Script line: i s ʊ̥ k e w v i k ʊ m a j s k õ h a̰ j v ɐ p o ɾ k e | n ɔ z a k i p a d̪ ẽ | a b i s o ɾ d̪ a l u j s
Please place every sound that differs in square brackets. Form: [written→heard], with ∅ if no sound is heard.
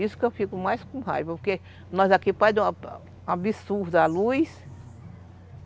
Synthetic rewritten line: i s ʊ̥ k e w [v→f] i k ʊ m a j s k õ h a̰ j v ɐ p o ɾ k e | n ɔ z a k i p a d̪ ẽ | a b i s [o→u] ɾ d̪ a l u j s